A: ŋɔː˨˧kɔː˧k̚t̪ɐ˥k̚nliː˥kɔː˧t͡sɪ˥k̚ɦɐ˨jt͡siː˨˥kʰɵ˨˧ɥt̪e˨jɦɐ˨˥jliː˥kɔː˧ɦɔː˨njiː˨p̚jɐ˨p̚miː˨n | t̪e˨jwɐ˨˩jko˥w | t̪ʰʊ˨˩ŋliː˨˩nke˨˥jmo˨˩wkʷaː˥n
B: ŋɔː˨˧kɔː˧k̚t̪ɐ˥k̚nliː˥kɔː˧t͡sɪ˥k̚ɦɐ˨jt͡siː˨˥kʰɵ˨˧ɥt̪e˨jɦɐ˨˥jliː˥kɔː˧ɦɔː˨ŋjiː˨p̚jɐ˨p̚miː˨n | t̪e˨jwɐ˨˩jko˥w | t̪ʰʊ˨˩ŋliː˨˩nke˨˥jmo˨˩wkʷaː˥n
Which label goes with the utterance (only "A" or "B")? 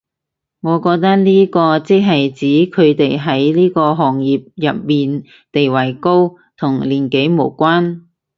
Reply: B